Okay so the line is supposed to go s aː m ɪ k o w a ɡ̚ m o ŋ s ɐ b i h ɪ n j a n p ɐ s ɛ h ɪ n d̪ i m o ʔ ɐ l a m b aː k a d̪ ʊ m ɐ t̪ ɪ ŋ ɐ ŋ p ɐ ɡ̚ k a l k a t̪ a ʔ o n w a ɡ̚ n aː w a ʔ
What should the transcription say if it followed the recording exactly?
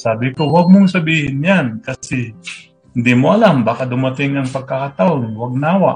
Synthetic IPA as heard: s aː b ɪ k o w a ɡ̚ m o ŋ s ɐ b iː h ɪ n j a n k ɐ s ɛ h ɪ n d̪ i m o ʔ ɐ l a m b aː k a d̪ ʊ m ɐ t̪ ɪ ŋ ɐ ŋ p ɐ ɡ̚ k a k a t̪ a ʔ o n w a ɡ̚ n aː w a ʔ